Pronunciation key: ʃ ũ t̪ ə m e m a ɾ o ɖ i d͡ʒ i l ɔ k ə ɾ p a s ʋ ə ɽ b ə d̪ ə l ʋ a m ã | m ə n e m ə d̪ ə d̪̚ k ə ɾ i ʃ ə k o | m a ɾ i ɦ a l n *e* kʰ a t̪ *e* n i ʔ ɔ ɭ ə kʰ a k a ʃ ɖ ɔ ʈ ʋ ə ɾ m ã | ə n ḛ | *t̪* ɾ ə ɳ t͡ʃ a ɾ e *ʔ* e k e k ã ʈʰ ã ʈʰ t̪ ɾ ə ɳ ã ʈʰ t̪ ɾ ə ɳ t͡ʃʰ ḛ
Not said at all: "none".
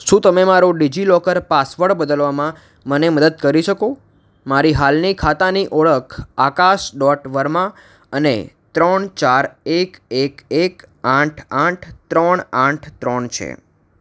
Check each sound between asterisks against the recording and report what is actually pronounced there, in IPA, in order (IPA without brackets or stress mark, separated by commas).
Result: i, a, t̪, k